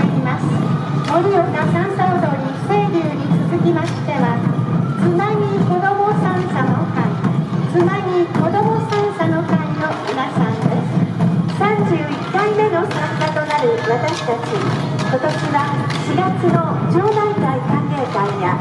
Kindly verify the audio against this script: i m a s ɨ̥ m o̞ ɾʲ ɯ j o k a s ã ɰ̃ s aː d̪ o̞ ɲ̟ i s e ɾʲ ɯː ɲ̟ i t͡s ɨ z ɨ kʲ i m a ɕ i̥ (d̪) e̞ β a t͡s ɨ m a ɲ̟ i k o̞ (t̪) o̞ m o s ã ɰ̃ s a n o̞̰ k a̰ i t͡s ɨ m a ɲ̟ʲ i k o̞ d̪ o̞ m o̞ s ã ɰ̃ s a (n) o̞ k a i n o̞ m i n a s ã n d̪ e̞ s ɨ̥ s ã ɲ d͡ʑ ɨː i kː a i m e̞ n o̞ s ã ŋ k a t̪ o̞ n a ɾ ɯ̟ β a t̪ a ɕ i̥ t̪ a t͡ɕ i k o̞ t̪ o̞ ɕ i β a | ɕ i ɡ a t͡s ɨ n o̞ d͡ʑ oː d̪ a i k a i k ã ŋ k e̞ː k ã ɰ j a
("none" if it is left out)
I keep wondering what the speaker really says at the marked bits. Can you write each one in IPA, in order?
t̪, d̪, n

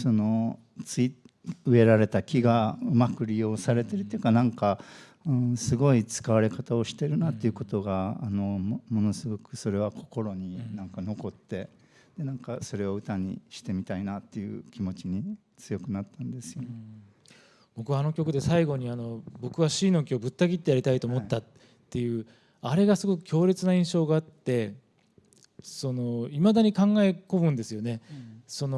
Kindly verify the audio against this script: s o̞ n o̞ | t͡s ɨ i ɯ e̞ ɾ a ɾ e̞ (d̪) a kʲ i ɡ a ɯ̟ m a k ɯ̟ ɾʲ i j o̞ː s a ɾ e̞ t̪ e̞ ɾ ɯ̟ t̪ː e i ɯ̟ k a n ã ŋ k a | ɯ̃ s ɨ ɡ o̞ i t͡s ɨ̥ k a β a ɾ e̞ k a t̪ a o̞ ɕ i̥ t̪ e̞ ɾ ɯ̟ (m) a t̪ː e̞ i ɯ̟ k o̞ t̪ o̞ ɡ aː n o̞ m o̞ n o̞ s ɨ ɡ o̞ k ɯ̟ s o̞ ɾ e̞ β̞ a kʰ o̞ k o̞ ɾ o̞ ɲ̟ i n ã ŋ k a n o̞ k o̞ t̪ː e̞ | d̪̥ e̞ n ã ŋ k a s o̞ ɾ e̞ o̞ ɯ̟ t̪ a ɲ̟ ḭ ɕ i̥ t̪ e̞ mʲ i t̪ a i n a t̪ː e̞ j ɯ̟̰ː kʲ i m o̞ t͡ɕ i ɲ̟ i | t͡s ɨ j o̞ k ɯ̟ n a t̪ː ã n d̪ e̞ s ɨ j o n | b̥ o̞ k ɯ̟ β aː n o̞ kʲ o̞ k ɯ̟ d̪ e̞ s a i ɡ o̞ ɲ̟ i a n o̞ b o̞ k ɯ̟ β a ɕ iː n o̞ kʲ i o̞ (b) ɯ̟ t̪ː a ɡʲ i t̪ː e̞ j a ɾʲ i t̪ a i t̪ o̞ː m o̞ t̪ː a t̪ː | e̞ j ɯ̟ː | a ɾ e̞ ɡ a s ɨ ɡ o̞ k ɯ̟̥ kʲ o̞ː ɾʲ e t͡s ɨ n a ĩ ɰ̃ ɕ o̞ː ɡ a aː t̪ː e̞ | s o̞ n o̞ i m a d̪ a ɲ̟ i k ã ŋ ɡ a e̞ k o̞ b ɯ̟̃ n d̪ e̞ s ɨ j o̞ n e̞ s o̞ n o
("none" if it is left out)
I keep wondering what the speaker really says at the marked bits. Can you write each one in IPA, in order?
t̪, n, b

